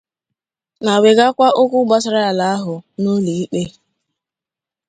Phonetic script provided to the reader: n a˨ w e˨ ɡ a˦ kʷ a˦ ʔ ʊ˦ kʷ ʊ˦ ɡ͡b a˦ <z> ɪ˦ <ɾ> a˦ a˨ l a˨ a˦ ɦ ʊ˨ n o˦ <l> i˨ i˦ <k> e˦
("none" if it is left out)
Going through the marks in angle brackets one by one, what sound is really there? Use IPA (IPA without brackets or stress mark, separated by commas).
s, ɾ, l, k͡p